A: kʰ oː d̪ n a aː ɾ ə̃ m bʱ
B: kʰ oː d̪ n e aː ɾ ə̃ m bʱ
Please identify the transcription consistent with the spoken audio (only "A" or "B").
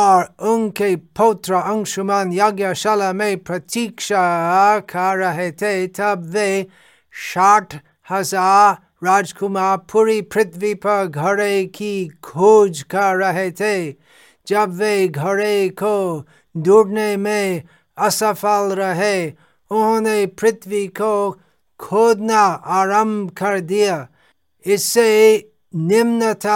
A